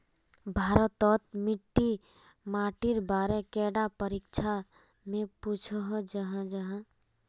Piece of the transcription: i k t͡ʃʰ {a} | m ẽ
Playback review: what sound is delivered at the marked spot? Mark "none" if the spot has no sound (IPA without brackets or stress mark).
a